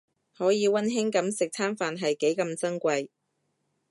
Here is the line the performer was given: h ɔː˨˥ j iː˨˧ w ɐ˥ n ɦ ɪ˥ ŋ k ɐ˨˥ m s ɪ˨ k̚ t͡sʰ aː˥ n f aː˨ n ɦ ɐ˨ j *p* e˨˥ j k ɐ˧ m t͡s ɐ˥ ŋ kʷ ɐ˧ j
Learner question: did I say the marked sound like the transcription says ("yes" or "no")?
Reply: no